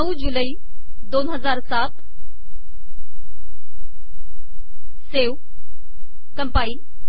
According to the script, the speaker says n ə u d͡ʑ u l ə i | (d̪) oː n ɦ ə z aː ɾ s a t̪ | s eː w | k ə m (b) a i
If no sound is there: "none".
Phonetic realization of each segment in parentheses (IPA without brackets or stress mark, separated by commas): d̪, p